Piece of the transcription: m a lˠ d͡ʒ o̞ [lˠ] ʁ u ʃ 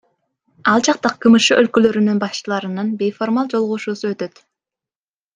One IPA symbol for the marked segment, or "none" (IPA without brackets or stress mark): lˠ